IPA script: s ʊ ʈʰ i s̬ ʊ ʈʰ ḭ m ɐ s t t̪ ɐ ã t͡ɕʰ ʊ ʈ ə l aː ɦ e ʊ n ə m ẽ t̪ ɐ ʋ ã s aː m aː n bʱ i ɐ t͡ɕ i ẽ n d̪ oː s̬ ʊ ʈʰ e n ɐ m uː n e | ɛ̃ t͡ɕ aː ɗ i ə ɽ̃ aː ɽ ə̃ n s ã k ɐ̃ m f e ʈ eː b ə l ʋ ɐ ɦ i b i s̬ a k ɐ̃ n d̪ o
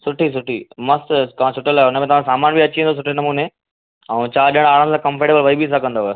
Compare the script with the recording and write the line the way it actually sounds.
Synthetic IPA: s ʊ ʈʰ i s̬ ʊ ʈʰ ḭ m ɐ s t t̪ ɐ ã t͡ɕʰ ʊ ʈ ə l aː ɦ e ʊ n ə m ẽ t̪ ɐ ʋ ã s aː m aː n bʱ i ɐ t͡ɕ i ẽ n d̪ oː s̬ ʊ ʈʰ e n ɐ m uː n e | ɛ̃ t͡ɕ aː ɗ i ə ɽ̃ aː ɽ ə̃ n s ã k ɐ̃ m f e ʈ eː b ə l ʋ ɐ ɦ i b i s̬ a k ɐ̃ n d̪ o